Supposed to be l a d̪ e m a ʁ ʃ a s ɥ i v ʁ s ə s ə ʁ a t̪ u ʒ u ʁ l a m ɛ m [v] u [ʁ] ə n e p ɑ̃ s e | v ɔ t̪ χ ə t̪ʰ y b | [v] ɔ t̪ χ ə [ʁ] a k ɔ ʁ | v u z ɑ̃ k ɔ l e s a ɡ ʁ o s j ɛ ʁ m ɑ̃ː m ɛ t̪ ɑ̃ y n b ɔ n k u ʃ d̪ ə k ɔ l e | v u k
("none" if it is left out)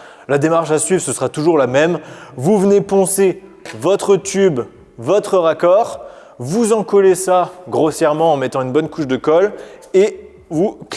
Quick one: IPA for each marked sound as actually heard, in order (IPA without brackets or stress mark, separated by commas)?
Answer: v, v, v, ʁ